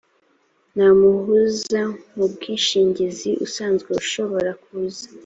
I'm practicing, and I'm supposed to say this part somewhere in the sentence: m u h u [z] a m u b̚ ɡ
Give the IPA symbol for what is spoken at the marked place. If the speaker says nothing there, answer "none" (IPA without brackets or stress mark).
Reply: z